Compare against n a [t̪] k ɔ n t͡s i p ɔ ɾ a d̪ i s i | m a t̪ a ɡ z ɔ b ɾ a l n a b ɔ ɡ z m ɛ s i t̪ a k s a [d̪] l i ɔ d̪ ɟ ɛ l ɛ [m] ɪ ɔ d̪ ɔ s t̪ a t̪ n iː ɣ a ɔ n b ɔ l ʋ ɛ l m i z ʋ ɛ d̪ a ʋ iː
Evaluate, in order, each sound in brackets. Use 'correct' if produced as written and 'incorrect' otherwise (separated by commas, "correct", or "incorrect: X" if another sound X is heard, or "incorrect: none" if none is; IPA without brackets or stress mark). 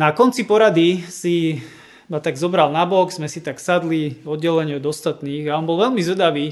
incorrect: none, correct, incorrect: ɲ